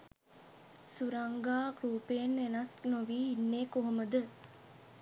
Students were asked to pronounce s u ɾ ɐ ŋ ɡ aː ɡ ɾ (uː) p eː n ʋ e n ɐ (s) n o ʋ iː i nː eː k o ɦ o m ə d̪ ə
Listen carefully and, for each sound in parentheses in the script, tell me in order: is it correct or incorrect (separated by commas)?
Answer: correct, correct